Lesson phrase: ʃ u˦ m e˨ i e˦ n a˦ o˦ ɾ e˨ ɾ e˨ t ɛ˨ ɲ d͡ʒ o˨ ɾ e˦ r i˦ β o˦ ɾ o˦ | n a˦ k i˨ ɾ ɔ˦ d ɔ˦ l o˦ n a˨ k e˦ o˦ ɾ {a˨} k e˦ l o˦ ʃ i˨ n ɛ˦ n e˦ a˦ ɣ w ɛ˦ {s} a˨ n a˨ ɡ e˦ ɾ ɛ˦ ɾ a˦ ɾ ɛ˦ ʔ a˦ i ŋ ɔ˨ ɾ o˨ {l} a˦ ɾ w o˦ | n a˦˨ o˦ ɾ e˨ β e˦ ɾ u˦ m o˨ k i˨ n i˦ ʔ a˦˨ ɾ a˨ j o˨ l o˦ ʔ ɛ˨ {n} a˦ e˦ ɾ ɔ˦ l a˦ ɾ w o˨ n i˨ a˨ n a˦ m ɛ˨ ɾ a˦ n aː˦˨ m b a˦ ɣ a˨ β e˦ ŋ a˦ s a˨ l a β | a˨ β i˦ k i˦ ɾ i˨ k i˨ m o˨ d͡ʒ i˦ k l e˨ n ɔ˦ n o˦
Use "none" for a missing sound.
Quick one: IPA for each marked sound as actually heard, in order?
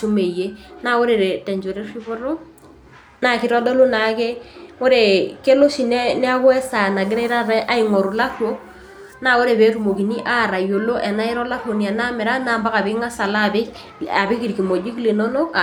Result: e˨, s, l, n

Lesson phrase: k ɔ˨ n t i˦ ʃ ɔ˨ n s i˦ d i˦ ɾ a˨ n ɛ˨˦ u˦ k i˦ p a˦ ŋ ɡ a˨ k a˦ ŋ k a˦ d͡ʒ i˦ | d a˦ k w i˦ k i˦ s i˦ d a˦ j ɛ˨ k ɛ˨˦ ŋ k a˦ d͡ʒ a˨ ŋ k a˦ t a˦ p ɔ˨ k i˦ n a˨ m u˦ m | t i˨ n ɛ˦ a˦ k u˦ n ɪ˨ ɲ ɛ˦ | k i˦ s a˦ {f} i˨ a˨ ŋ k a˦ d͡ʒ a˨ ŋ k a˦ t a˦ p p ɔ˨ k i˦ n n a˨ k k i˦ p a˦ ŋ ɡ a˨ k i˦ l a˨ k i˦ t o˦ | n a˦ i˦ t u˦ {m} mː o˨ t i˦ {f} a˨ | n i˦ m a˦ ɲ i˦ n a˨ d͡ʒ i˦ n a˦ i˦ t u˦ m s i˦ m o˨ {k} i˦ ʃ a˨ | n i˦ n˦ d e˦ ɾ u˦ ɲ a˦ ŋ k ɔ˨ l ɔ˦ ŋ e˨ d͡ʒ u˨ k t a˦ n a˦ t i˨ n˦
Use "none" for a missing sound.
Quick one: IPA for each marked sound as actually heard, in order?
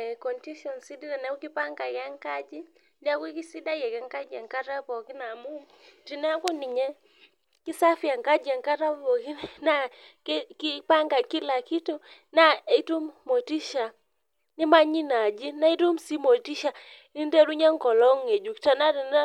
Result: f, m, ʃ, t

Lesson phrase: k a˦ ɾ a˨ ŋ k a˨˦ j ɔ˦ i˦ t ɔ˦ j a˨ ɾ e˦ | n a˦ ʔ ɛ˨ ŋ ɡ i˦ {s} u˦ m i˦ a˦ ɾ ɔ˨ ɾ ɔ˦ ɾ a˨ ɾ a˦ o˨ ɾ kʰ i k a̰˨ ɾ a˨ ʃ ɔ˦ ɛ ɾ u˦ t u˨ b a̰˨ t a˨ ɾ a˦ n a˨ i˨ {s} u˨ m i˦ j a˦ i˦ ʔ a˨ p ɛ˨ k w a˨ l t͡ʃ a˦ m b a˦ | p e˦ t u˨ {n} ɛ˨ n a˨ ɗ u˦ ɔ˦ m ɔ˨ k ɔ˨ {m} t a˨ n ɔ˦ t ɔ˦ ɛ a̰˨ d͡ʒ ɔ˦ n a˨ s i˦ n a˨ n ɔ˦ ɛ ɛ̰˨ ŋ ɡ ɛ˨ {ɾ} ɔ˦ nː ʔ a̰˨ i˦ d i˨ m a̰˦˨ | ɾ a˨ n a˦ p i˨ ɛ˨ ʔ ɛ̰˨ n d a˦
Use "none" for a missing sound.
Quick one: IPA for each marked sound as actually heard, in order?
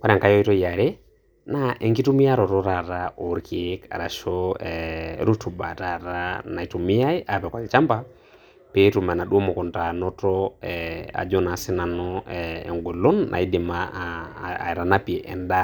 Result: t, t, m, n, l

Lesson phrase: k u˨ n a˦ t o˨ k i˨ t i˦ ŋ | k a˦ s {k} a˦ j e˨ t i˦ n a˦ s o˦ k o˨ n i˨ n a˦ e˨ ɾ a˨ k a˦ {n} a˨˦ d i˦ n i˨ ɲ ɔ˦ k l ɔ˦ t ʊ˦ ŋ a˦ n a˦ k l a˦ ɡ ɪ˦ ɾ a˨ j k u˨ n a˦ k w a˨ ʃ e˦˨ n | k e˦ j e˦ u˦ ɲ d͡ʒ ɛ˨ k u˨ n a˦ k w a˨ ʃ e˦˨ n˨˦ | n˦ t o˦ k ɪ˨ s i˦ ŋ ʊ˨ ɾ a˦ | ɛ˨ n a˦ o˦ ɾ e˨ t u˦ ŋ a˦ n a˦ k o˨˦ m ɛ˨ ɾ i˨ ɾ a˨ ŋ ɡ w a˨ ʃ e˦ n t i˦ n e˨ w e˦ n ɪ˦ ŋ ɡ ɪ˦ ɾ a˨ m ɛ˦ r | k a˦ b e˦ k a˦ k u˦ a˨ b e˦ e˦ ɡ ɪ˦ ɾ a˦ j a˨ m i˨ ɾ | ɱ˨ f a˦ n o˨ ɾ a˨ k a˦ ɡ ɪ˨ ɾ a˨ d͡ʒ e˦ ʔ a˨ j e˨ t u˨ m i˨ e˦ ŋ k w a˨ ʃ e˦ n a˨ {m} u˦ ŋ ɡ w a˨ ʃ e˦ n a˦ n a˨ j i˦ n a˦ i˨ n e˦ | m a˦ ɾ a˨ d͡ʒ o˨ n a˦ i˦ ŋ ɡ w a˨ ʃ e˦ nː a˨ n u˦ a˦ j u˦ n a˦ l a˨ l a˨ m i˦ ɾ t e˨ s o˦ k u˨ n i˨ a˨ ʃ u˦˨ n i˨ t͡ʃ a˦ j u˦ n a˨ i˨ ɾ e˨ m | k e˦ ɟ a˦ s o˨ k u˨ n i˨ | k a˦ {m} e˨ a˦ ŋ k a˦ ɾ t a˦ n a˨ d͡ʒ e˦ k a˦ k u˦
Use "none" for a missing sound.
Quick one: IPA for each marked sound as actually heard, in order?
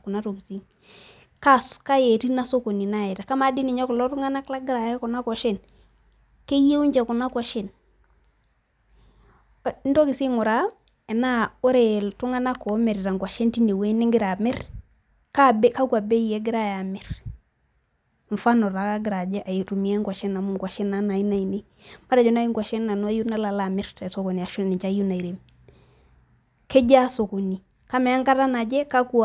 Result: k, m, m, m

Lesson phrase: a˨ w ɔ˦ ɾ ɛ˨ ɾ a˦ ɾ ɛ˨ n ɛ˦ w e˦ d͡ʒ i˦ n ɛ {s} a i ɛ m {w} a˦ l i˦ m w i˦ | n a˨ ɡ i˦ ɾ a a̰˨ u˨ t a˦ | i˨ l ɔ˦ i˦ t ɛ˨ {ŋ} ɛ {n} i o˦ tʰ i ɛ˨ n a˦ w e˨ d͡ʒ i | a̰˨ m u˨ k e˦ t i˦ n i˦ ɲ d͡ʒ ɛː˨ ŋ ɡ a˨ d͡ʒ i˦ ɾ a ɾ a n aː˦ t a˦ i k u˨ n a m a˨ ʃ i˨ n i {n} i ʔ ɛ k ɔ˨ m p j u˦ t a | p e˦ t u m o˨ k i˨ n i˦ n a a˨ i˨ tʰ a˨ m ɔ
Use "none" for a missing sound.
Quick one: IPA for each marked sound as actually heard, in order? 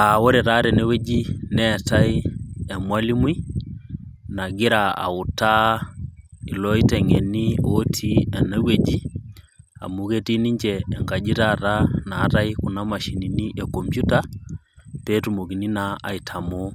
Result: t, w, ŋ, n, n

